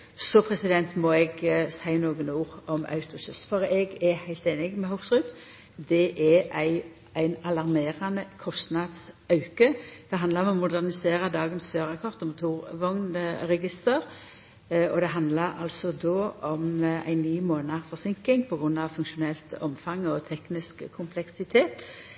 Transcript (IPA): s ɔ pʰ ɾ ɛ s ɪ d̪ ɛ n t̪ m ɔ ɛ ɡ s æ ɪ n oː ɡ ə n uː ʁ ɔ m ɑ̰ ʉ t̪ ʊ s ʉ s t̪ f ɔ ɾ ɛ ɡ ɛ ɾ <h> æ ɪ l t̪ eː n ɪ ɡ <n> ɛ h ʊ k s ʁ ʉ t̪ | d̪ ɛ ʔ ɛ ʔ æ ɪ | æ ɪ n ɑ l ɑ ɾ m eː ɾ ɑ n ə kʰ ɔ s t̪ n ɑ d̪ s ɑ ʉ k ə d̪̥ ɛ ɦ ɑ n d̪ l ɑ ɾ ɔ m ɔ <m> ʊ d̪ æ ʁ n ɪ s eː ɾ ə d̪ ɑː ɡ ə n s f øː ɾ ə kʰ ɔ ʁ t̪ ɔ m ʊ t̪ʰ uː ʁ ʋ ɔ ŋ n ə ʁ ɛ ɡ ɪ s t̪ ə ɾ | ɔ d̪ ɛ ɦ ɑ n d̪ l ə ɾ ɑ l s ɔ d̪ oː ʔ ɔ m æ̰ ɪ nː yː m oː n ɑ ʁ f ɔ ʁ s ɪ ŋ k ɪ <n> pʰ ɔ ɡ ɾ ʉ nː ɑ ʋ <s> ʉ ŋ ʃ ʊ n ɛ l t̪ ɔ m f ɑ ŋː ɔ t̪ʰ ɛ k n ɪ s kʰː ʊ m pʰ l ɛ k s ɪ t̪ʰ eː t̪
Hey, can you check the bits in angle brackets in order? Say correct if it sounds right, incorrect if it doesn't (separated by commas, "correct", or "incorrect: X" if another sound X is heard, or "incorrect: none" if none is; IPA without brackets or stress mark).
correct, incorrect: m, correct, incorrect: ŋ, incorrect: f